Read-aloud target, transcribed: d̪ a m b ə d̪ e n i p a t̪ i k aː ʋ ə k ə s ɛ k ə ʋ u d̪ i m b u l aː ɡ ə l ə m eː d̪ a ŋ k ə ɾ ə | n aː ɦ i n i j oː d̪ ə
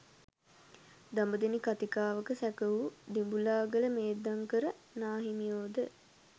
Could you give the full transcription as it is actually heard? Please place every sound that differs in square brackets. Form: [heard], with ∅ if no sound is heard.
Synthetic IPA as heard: d̪ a m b ə d̪ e n i [k] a t̪ i k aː ʋ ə k ə s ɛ k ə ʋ u d̪ i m b u l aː ɡ ə l ə m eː d̪ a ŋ k ə ɾ ə | n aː ɦ i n i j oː d̪ ə

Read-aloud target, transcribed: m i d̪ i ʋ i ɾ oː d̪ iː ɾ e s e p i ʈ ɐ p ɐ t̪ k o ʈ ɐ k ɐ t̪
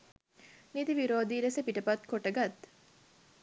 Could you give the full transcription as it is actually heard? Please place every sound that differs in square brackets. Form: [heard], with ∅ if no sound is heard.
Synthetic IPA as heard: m i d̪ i ʋ i ɾ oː d̪ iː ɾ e s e p i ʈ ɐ p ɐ t̪ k o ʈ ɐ [ɡ] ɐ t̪

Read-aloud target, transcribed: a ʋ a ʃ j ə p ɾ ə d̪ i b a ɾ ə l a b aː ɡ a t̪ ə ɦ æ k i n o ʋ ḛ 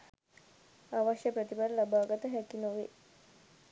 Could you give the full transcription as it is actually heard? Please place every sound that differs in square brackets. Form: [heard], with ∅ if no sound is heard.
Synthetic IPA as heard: a ʋ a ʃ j ə p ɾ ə [t̪] i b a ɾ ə l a b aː ɡ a t̪ ə ɦ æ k i n o ʋ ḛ

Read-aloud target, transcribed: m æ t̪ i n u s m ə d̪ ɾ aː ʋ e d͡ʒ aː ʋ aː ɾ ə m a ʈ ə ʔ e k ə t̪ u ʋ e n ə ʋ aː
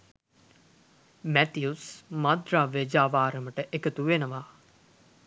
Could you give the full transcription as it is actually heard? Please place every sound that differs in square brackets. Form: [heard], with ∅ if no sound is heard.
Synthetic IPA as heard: m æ t̪ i [∅] u s m [a] d̪ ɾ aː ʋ e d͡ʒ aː ʋ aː ɾ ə m [ə] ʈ ə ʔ e k ə t̪ u ʋ e n ə ʋ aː

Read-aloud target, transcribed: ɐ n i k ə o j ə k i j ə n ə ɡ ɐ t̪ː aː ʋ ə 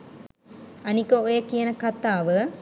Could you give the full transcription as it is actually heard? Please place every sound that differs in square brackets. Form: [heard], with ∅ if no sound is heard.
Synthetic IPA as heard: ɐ n i k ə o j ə k i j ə n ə [k] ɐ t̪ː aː ʋ ə

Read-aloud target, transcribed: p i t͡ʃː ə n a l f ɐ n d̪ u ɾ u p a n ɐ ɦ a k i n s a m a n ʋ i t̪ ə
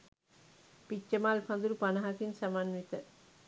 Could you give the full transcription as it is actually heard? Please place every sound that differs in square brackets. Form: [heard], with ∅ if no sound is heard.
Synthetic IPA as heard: p i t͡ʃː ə [m] a l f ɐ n d̪ u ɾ u p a n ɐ ɦ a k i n s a m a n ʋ i t̪ ə

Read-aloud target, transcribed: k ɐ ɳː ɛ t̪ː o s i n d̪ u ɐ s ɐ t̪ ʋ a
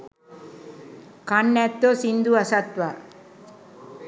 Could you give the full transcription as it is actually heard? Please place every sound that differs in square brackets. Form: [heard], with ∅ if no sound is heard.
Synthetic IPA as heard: k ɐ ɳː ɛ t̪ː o s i n d̪ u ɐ s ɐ t̪ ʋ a

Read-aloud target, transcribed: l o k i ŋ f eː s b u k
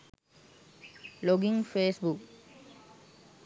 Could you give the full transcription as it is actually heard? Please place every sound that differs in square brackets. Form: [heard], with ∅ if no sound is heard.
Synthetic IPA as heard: l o [ɡ] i ŋ f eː s b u k

